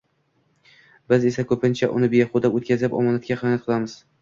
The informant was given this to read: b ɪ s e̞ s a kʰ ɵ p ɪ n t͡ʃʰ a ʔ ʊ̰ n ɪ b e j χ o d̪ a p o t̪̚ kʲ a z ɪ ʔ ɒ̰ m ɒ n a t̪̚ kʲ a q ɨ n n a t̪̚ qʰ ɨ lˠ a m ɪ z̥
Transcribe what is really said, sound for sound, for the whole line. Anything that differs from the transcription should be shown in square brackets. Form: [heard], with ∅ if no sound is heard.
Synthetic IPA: b ɪ [z] e̞ s a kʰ ɵ p ɪ n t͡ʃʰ a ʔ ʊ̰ n ɪ b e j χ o d̪ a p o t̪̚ kʲ a z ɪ [p] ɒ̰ m ɒ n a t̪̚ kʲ a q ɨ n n a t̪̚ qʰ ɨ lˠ a m ɪ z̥

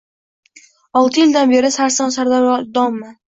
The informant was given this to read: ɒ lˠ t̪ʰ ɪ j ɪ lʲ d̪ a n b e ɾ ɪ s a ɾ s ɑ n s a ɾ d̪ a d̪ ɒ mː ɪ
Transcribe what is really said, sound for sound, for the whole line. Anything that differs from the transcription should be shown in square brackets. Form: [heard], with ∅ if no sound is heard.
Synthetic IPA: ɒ lˠ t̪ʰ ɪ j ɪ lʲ d̪ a n b e ɾ ɪ s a ɾ s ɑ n s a ɾ d̪ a d̪ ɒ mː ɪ

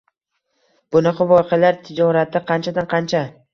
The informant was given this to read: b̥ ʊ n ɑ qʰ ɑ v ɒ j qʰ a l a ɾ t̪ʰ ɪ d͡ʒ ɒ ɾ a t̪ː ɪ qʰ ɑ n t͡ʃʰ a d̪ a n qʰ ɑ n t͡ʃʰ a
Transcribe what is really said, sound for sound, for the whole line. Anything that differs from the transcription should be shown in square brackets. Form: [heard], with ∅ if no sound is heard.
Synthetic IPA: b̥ ʊ n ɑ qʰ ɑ v ɒ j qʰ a l a ɾ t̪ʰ ɪ d͡ʒ ɒ ɾ a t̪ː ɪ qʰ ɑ n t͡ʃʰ a d̪ a n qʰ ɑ n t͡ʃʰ a

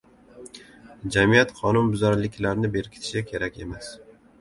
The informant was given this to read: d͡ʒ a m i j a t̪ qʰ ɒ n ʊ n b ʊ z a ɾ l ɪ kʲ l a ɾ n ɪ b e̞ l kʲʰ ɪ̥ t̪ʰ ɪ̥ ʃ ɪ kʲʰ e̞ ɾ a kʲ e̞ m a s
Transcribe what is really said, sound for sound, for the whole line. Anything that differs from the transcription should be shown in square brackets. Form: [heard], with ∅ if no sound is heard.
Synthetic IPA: d͡ʒ a m i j a t̪ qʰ ɒ n ʊ n b ʊ z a ɾ l ɪ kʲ l a ɾ n ɪ b e̞ [ɾ] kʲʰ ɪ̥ t̪ʰ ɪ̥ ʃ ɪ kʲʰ e̞ ɾ a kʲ e̞ m a s

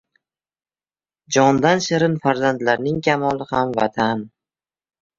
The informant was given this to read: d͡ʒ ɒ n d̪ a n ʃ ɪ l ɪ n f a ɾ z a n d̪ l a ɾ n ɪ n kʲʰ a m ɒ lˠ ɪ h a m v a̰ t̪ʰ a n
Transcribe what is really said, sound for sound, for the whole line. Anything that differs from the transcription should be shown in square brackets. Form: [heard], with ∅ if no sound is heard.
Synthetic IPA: d͡ʒ ɒ n d̪ a n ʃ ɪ [ɾ] ɪ n f a ɾ z a n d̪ l a ɾ n ɪ [ŋ] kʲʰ a m ɒ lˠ ɪ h a m v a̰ t̪ʰ a n

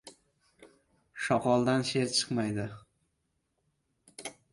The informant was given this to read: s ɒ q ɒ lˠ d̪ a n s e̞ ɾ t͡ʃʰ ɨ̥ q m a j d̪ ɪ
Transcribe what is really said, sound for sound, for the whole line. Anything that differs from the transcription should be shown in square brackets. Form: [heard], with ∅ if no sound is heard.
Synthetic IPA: [ʃ] ɒ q ɒ lˠ d̪ a n [ʃ] e̞ ɾ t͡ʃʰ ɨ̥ q m a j d̪ ɪ

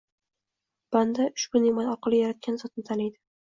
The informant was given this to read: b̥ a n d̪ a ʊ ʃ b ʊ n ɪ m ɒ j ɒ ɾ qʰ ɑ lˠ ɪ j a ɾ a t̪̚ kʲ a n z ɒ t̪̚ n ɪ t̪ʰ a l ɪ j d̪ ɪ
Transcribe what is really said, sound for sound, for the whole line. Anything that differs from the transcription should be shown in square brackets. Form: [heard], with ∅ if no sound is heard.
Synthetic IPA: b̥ a n d̪ a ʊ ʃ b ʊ n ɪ m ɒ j ɒ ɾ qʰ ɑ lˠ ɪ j a ɾ a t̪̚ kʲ a n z ɒ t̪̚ n ɪ t̪ʰ a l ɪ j d̪ ɪ

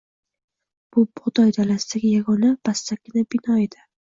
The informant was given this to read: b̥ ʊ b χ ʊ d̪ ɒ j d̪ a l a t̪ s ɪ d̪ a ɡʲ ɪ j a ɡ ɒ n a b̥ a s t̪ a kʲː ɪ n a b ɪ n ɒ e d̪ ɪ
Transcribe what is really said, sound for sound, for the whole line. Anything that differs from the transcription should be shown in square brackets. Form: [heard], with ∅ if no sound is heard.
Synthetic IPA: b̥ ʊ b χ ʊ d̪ ɒ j d̪ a l a [∅] s ɪ d̪ a ɡʲ ɪ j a ɡ ɒ n a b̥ a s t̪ a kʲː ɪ n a b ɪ n ɒ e d̪ ɪ

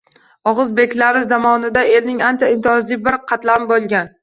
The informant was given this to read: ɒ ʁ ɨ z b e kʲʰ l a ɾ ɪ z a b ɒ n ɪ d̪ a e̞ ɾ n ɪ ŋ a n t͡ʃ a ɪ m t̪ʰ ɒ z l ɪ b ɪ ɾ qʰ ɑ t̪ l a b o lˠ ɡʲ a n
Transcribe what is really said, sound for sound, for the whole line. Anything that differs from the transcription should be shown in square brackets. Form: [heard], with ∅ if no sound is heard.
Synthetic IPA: ɒ ʁ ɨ z b e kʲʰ l a ɾ ɪ z a [m] ɒ n ɪ d̪ a e̞ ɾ n ɪ ŋ a n t͡ʃ a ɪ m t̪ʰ ɒ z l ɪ b ɪ ɾ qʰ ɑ t̪ l a b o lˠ ɡʲ a n

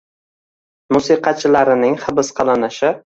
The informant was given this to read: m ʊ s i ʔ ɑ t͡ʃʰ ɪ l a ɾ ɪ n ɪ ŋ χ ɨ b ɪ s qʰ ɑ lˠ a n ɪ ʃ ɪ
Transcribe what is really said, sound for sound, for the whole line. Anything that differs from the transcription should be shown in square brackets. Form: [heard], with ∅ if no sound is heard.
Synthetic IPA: m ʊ s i [q] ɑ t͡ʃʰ ɪ l a ɾ ɪ n ɪ ŋ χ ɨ b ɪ s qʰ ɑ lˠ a n ɪ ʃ ɪ

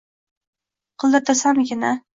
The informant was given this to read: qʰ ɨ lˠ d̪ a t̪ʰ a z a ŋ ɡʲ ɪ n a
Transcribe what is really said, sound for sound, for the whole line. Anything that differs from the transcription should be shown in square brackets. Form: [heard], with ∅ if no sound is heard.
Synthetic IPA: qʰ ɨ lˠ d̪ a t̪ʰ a [s] a [m] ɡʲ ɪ n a

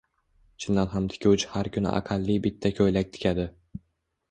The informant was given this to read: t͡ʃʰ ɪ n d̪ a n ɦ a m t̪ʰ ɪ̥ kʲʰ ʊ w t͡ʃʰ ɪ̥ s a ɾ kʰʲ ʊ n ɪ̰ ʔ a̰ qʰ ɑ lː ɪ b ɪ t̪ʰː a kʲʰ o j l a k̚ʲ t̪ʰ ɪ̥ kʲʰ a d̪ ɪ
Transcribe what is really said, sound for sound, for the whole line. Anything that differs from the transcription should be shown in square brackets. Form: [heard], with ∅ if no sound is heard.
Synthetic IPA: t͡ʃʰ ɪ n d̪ a n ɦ a m t̪ʰ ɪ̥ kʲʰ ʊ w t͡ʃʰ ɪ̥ [h] a ɾ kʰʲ ʊ n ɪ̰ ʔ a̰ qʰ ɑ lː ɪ b ɪ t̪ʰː a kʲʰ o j l a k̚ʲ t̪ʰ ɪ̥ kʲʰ a d̪ ɪ

